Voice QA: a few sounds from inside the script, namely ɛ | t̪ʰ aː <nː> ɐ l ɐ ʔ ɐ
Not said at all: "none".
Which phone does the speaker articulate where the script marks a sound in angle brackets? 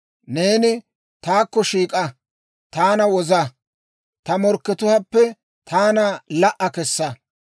n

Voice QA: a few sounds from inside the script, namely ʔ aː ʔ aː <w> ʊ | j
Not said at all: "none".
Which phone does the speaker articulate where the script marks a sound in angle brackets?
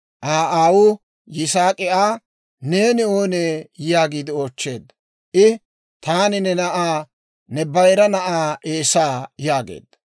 w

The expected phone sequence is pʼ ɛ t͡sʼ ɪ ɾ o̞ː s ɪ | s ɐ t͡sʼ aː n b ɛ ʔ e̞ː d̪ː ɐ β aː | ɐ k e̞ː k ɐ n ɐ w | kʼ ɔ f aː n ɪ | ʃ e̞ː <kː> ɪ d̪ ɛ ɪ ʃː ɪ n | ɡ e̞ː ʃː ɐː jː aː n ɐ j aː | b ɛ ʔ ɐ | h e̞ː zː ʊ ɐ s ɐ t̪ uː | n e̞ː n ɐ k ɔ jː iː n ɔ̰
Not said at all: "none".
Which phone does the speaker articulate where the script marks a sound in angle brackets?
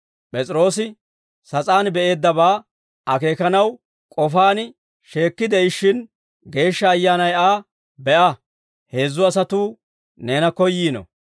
kː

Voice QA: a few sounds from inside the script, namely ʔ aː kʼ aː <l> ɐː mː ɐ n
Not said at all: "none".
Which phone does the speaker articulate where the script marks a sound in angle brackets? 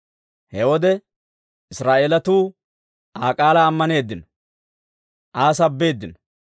l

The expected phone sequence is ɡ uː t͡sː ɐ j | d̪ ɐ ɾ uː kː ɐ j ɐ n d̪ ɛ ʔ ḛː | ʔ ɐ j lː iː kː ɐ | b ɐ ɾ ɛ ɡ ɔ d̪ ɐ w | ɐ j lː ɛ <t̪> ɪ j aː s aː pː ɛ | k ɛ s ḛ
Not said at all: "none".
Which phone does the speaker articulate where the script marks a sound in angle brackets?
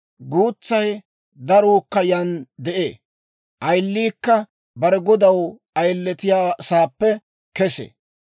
t̪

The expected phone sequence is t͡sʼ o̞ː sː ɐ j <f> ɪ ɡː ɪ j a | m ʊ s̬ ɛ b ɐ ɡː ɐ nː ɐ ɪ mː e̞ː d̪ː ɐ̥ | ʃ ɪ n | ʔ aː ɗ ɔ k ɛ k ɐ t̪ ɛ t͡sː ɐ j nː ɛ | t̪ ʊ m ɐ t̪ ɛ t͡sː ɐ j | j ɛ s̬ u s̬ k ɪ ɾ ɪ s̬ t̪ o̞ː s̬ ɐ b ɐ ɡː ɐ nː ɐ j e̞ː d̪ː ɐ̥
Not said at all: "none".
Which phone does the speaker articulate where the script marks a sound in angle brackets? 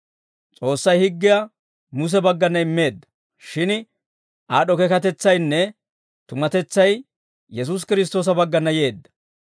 h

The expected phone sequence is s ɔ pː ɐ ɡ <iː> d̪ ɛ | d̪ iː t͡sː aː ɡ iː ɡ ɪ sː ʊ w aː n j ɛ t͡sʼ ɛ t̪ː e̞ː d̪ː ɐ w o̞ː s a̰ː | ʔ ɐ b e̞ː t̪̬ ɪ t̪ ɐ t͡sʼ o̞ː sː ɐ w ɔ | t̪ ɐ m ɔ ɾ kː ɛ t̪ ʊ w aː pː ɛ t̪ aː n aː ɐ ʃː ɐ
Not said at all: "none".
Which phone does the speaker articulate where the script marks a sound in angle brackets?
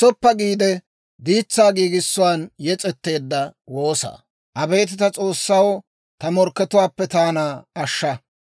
iː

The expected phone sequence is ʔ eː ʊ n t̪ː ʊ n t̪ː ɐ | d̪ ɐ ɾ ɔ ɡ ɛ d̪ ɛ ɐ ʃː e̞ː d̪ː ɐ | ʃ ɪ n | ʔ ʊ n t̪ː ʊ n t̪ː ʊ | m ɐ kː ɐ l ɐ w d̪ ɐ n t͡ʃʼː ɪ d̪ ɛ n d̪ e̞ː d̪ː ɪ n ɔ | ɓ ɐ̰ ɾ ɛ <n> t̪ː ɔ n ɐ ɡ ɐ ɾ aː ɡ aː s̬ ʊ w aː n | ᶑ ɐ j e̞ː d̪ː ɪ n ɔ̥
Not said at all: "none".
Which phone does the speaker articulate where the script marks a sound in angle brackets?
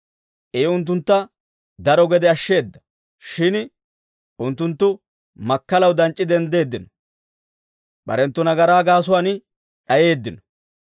n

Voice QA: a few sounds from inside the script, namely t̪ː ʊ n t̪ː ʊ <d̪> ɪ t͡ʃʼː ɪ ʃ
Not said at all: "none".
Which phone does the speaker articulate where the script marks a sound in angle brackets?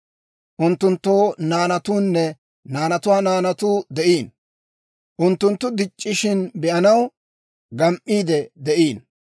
d̪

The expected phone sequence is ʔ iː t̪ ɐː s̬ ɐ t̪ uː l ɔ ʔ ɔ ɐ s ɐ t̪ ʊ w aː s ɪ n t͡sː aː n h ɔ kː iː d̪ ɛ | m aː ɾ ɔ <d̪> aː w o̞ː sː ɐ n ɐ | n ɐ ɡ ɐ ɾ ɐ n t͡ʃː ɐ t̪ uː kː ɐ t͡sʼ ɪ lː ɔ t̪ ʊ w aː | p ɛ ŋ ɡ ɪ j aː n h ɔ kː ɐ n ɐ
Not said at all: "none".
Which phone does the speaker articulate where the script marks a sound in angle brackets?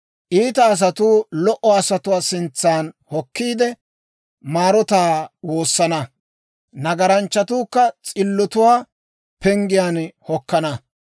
t̪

